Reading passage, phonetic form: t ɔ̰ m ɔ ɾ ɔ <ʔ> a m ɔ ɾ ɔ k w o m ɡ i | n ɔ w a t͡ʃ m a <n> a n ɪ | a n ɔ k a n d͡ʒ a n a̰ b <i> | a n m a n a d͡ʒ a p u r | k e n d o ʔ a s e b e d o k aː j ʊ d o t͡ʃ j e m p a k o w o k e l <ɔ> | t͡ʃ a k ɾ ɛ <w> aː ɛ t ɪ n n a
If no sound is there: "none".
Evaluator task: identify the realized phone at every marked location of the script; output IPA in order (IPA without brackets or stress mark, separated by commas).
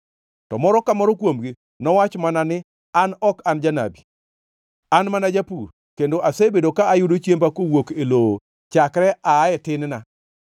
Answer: k, n, i, o, none